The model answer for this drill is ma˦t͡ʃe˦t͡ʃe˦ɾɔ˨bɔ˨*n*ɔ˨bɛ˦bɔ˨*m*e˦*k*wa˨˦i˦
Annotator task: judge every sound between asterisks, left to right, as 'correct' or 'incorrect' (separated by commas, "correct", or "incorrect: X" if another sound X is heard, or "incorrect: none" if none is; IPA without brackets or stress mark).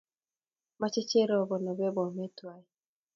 correct, correct, incorrect: t